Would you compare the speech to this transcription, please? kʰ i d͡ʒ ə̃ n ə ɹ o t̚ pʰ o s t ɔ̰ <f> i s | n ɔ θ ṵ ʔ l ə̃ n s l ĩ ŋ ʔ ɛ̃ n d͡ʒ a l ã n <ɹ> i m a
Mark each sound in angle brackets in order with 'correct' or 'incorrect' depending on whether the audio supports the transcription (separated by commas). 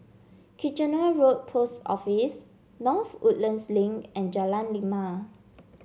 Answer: correct, incorrect